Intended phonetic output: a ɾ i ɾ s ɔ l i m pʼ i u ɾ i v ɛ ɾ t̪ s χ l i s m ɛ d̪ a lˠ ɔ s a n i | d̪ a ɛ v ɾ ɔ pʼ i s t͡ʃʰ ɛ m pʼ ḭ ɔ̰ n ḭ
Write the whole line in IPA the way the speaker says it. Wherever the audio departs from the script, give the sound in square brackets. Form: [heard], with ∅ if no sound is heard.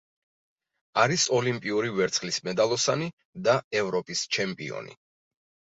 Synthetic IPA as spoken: a ɾ i [∅] s ɔ l i m pʼ i u ɾ i v ɛ ɾ t̪ s χ l i s m ɛ d̪ a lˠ ɔ s a n i | d̪ a ɛ v ɾ ɔ pʼ i s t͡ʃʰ ɛ m pʼ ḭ ɔ̰ n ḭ